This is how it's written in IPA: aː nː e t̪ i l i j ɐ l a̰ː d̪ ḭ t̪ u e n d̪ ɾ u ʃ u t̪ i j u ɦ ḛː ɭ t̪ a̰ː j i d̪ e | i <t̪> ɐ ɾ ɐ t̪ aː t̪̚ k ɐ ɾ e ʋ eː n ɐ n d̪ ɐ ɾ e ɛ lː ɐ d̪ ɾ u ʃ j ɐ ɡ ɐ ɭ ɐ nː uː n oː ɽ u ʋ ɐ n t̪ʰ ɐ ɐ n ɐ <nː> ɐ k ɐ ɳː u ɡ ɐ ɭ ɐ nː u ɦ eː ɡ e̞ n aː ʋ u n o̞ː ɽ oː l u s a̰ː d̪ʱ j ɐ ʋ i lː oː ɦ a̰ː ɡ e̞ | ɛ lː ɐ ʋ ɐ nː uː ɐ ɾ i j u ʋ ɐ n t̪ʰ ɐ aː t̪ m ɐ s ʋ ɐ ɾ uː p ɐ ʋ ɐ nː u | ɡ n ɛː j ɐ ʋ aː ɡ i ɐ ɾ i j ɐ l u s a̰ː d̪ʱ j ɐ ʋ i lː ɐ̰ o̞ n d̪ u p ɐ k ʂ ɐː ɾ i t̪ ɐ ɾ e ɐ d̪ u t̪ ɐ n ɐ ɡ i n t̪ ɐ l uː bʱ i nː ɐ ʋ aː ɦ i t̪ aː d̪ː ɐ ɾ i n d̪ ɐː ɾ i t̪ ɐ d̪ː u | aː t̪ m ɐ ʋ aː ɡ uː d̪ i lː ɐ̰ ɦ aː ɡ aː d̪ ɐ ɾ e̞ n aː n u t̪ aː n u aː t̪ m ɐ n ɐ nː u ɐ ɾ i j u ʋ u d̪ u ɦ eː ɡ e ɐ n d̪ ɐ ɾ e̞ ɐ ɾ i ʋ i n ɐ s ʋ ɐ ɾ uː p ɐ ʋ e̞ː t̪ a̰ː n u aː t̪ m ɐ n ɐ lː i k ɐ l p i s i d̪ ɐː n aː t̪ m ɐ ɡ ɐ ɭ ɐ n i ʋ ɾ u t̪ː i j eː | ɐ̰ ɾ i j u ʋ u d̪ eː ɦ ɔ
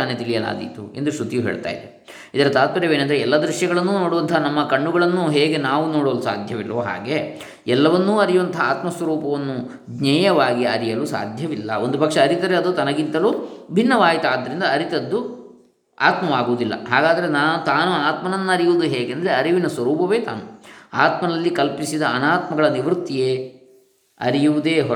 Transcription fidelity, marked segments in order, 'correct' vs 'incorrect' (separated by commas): incorrect, incorrect